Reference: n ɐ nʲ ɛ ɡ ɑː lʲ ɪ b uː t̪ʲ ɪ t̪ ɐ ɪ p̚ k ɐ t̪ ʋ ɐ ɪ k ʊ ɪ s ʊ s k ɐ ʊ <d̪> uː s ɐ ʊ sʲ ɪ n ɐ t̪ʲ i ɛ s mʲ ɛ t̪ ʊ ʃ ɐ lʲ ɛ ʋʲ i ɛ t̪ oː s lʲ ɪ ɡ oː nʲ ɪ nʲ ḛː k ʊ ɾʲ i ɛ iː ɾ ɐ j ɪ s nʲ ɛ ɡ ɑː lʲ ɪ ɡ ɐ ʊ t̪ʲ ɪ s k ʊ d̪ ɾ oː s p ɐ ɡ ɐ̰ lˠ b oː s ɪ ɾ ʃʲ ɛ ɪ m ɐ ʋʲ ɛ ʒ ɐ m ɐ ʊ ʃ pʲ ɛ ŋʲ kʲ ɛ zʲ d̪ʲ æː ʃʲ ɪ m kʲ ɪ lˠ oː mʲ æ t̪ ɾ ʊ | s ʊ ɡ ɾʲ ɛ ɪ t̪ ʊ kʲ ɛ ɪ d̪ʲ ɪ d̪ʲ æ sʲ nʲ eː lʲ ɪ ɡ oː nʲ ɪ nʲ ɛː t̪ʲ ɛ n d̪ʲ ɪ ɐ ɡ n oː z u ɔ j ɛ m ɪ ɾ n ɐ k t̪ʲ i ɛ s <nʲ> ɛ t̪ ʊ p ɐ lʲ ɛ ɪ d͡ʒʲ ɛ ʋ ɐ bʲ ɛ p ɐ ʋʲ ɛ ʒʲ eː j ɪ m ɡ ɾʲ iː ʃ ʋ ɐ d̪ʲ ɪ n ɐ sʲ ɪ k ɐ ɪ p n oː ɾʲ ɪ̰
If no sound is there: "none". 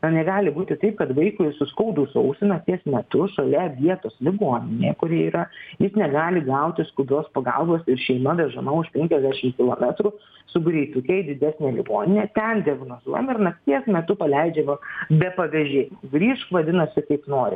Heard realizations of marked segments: d̪, mʲ

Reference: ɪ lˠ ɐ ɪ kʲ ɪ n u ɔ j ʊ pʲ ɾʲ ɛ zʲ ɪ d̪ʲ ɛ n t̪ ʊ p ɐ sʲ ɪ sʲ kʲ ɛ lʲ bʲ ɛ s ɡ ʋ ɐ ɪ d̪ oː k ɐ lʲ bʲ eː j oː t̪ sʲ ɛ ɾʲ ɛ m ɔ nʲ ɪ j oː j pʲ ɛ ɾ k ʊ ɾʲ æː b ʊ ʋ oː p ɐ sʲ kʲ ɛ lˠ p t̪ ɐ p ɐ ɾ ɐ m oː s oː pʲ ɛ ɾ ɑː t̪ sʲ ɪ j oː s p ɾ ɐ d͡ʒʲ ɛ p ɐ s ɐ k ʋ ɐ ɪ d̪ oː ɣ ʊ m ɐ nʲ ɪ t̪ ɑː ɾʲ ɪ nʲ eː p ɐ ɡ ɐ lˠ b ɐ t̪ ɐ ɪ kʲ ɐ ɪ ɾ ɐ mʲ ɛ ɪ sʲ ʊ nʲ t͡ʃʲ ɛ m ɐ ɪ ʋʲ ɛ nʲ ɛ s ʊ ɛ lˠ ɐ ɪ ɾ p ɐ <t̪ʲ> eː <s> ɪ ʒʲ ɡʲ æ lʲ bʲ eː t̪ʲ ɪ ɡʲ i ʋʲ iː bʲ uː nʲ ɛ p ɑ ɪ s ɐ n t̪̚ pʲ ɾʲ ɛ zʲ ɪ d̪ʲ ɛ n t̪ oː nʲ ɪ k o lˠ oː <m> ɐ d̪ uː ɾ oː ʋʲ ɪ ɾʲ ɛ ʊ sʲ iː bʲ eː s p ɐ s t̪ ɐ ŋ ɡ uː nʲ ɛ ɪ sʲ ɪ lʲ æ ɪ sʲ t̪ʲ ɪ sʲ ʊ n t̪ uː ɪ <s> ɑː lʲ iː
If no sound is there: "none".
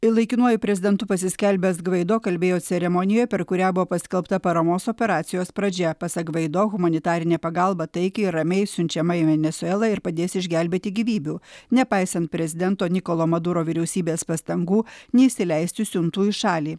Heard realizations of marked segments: d̪ʲ, s, m, ʃ

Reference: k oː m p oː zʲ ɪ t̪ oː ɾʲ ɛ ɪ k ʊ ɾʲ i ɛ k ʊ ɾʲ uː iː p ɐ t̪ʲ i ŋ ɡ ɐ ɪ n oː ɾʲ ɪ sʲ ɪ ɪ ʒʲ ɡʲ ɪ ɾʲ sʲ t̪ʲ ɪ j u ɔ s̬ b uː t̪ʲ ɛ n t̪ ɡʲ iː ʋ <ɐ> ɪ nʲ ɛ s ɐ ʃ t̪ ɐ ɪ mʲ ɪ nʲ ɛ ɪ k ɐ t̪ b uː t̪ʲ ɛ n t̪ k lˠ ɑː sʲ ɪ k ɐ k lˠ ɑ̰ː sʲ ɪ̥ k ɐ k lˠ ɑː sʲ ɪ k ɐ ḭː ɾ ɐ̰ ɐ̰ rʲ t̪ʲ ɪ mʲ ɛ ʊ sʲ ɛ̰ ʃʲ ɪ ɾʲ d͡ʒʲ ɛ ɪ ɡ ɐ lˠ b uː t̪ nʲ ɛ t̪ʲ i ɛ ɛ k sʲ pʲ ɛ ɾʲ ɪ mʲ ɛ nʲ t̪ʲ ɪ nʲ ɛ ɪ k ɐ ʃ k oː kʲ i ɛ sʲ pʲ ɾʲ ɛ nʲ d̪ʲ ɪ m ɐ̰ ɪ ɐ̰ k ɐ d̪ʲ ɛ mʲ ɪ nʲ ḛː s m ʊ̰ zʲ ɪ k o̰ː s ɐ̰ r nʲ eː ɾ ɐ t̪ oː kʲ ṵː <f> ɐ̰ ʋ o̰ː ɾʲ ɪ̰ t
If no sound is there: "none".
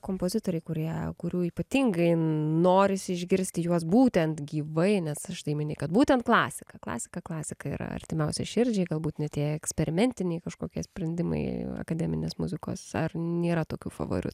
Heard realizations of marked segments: ɐ, f

